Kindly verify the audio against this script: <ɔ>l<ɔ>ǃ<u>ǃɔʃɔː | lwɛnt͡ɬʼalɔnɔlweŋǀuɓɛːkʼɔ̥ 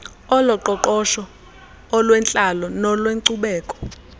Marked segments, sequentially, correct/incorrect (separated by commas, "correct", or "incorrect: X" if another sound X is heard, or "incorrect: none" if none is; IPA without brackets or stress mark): correct, correct, incorrect: ɔ